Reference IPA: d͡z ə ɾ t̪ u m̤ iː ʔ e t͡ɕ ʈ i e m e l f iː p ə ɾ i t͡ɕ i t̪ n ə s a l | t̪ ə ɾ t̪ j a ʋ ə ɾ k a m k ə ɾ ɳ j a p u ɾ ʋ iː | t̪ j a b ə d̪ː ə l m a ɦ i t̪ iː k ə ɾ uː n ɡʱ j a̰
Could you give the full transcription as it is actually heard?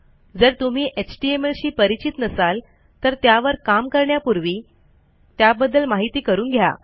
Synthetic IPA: d͡z ə ɾ t̪ u m̤ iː ʔ e t͡ɕ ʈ i e m e l ɕ iː p ə ɾ i t͡ɕ i t̪ n ə s a l | t̪ ə ɾ t̪ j a ʋ ə ɾ k a m k ə ɾ ɳ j a p u ɾ ʋ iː | t̪ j a b ə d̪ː ə l m a ɦ i t̪ iː k ə ɾ uː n ɡʱ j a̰

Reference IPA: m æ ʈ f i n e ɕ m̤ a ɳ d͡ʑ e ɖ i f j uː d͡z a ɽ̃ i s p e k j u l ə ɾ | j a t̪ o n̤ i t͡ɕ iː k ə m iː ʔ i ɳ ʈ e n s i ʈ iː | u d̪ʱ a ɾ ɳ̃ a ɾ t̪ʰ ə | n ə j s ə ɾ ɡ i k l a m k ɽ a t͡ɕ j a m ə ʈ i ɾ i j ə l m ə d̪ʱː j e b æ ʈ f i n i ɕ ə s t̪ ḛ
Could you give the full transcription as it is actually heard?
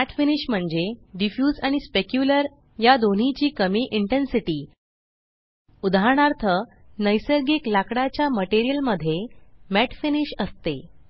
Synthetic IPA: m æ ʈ f i n i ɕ m̤ ə ɳ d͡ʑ e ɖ i f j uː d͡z a ɽ̃ i s p e k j u l ə ɾ | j a d̪ o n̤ i t͡ɕ iː k ə m iː ʔ i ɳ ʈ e n s i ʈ iː | u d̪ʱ a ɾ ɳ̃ a ɾ t̪ʰ ə | n ə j s ə ɾ ɡ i k l a k ɽ a t͡ɕ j a m ə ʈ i ɾ i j ə l m ə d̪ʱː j e m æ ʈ f i n i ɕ ə s t̪ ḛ

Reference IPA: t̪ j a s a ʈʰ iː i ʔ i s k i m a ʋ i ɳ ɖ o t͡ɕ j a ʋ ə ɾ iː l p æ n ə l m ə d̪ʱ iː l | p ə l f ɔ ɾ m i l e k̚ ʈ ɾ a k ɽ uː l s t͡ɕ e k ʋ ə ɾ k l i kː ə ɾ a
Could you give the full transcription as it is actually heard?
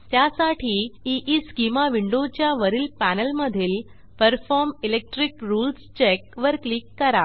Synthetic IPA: t̪ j a s a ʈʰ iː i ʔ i s k i m a ʋ i ɳ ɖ o t͡ɕ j a ʋ ə ɾ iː l p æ n ə l m ə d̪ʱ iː l | p ə ɾ f ɔ ɾ m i l e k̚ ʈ ɾ i k ɾ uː l s t͡ɕ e k ʋ ə ɾ k l i kː ə ɾ a

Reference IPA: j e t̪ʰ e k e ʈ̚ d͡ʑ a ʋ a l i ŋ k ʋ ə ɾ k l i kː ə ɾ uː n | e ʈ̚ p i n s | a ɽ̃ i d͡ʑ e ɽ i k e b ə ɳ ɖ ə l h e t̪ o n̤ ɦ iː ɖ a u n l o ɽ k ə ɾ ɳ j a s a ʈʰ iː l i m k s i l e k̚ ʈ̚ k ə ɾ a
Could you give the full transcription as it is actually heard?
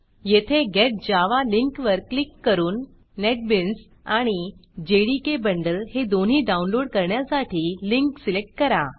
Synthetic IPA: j e t̪ʰ e ɡ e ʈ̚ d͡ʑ a ʋ a l i ŋ k ʋ ə ɾ k l i kː ə ɾ uː nː | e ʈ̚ b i n s | a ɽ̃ i d͡ʑ e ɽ i k e b ə ɳ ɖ ə l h e d̪ o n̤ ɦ iː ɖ a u n l o ɽ k ə ɾ ɳ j a s a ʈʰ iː l i ŋ k s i l e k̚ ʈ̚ k ə ɾ a

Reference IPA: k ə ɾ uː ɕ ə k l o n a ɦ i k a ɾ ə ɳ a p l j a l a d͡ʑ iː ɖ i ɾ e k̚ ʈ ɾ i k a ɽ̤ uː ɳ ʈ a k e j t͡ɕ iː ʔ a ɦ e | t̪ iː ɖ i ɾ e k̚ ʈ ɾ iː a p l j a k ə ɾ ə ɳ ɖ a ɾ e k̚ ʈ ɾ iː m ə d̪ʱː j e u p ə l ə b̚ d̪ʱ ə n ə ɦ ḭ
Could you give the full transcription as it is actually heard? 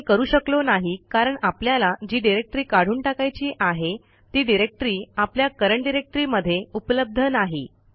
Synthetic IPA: k ə ɾ uː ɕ ə k l o n a ɦ i k a ɾ ə ɳ a p l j a l a d͡ʑ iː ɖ i ɾ e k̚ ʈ ɾ iː k a ɽ̤ uː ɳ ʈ a k a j t͡ɕ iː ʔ a ɦ e | t̪ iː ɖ i ɾ e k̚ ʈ ɾ iː a p l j a k ə ɾ ə ɳ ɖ i ɾ e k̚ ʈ ɾ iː m ə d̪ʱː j e u p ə l ə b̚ d̪ʱ ə n a ɦ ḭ

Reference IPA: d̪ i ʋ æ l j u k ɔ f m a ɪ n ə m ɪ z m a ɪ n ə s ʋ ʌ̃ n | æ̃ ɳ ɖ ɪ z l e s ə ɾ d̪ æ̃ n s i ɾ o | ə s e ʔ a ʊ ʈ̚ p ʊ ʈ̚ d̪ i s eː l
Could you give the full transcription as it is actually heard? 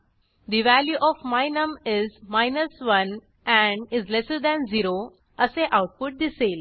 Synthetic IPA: d̪ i ʋ æ l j u ʔ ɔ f m a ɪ n ə m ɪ z m a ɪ n ə s ʋ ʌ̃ n | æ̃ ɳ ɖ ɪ z l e s ə ɾ d̪ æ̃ n z i ɾ o | ə s e ʔ a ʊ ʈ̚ p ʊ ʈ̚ d̪ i s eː l

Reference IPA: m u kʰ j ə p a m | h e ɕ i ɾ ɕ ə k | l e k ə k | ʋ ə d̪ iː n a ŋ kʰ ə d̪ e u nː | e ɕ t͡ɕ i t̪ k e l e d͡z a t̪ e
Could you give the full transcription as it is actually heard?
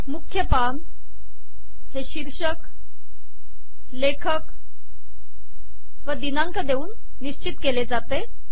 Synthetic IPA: m u kʰ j ə p a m | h e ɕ i ɾ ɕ ə k | l e kʰ ə k | ʋ ə d̪ i n a ŋ k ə d̪ e uː nː | i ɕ t͡ɕ i t̪ k e l e d͡z a t̪ e

